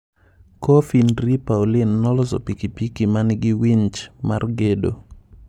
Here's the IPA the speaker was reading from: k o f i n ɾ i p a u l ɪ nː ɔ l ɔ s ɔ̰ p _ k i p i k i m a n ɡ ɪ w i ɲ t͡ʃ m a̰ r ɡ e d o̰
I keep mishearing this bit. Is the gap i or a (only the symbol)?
i